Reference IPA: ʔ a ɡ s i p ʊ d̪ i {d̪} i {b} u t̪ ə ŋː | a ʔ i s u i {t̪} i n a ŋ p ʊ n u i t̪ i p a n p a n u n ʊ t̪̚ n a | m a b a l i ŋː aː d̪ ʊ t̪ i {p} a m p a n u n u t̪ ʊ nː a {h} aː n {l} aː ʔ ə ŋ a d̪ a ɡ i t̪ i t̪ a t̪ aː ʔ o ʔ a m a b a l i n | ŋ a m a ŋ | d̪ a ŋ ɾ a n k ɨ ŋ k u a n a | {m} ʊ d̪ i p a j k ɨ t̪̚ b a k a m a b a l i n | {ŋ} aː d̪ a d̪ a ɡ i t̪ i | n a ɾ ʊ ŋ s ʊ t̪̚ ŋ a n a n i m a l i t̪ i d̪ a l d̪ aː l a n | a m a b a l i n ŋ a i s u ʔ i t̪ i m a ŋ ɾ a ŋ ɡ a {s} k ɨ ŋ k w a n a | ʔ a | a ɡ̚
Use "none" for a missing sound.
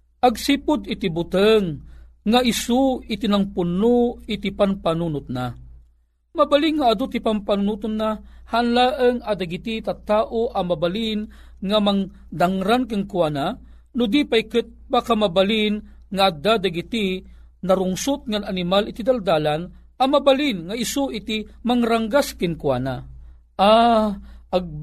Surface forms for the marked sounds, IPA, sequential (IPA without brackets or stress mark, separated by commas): t̪, b, t̪, p, h, l, n, ŋ, s